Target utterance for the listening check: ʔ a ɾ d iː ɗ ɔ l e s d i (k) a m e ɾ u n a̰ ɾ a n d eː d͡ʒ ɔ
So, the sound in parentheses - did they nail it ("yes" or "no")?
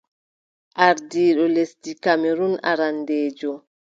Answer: yes